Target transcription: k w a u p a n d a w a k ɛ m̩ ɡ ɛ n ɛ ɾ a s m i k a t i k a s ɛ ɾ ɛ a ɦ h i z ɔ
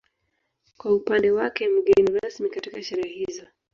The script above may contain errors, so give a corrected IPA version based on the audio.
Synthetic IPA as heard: k w a u p a n d ɛ w a k ɛ m̩ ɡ ɛ n i ɾ a s m i k a t i k a ʃ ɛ ɾ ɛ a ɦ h i z ɔ